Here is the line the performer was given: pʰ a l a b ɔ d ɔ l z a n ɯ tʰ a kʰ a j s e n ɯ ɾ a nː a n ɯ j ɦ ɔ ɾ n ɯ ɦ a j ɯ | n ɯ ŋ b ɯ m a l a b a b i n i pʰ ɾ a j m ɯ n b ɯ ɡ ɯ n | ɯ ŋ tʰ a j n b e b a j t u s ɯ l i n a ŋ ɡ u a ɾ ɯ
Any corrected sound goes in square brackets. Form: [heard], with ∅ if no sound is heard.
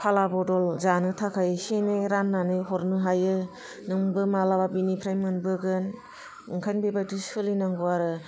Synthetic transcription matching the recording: pʰ a l a b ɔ d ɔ l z a n ɯ tʰ a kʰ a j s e n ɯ ɾ a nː a n ɯ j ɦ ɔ ɾ n ɯ ɦ a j ɯ | n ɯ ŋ b ɯ m a l a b a b i n i pʰ ɾ a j m ɯ n b ɯ ɡ ɯ n | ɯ ŋ [kʰ] a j n b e b a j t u s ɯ l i n a ŋ ɡ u a ɾ ɯ

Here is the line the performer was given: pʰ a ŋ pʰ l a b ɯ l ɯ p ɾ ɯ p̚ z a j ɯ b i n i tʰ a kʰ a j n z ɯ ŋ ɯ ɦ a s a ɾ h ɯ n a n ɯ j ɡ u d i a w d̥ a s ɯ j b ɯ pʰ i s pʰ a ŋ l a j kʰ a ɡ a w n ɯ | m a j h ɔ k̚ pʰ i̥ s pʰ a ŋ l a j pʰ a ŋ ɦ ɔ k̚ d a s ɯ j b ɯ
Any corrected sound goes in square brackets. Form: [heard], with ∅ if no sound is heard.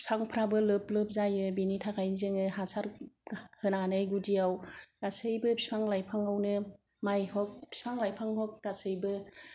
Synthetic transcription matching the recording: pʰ a ŋ pʰ [ɾ] a b ɯ l ɯ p [l] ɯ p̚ z a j ɯ b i n i tʰ a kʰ a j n z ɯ ŋ ɯ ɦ a s a ɾ h ɯ n a n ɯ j ɡ u d i a w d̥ a s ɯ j b ɯ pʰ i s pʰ a ŋ l a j [pʰ] a [ŋ] a w n ɯ | m a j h ɔ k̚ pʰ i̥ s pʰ a ŋ l a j pʰ a ŋ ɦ ɔ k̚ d a s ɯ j b ɯ

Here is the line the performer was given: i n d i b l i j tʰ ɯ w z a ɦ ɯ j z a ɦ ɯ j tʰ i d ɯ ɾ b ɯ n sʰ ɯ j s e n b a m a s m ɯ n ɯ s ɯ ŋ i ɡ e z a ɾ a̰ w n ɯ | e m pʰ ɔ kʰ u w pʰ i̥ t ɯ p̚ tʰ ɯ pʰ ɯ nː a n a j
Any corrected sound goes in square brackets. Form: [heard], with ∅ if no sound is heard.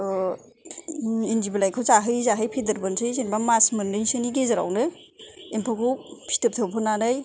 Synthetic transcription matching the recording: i n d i b l [a] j [kʰ] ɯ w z a ɦ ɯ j z a ɦ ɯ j [pʰ] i d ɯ ɾ b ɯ n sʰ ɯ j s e n b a m a s m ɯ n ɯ s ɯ [n] i ɡ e z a ɾ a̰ w n ɯ | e m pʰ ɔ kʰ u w pʰ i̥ t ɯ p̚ tʰ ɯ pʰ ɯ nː a n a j

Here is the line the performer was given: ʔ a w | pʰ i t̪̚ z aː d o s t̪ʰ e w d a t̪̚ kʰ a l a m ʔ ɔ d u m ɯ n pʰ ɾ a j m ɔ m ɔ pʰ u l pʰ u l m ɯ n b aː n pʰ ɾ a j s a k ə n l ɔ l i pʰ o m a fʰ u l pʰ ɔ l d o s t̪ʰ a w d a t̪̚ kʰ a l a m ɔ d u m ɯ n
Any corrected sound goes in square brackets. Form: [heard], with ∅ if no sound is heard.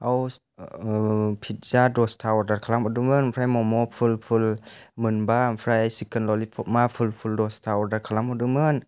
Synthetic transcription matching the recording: ʔ a w | pʰ i t̪̚ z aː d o s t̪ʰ [a] w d a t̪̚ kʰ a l a m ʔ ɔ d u m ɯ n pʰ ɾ a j m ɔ m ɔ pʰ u l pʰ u l m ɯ n b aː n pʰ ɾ a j s [i] k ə n l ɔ l i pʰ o m a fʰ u l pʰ [u] l d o s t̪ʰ a w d a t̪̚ kʰ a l a m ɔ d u m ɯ n

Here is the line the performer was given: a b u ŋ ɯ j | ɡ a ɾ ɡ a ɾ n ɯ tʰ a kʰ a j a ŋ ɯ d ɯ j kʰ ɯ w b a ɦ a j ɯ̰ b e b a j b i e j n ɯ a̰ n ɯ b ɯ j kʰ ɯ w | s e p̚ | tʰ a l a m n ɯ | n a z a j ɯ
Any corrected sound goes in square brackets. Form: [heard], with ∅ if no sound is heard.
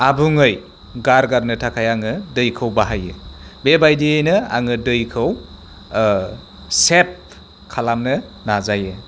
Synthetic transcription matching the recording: a b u ŋ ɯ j | ɡ a ɾ ɡ a ɾ n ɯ tʰ a kʰ a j a ŋ ɯ d ɯ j kʰ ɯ w b a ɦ a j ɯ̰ b e b a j [d] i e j n ɯ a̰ [ŋ] ɯ [d] ɯ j kʰ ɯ w | s e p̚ | [kʰ] a l a m n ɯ | n a z a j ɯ

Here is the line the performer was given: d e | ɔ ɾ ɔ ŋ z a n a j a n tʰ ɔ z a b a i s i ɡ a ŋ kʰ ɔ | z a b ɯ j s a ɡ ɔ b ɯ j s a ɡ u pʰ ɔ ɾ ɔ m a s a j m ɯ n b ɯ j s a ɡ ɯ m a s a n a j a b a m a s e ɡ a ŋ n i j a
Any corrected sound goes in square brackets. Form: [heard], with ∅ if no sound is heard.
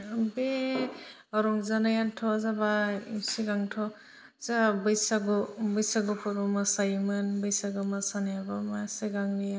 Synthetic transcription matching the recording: [b] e | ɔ ɾ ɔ ŋ z a n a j a n tʰ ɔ z a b a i s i ɡ a ŋ [tʰ] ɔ | z a b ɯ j s a ɡ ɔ b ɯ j s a ɡ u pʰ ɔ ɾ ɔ m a s a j m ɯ n b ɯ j s a ɡ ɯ m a s a n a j a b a m a s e ɡ a ŋ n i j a

